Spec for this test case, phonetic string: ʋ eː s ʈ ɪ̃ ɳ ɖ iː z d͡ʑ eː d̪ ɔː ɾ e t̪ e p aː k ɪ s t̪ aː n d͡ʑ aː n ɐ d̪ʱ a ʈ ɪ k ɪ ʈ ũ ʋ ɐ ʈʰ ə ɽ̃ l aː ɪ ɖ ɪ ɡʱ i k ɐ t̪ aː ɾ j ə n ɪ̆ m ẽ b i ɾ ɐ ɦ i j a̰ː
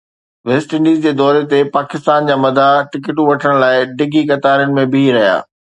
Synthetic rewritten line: ʋ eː s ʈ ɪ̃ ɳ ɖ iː z d͡ʑ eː d̪ ɔː ɾ e t̪ e p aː k ɪ s t̪ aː n d͡ʑ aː m ɐ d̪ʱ a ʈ ɪ k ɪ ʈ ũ ʋ ɐ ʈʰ ə ɽ̃ l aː ɪ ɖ ɪ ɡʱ i k ɐ t̪ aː ɾ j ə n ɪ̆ m ẽ b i ɾ ɐ ɦ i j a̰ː